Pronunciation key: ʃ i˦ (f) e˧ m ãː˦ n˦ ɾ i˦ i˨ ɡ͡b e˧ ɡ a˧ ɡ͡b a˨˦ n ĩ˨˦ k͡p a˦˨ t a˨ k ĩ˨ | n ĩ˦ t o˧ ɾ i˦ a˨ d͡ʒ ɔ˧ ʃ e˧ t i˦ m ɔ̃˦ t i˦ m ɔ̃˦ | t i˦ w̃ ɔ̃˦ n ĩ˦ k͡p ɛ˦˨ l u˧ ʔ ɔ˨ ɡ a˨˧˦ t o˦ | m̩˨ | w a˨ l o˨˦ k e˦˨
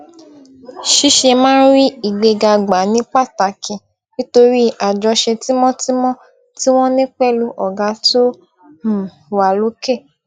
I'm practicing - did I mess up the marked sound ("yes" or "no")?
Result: yes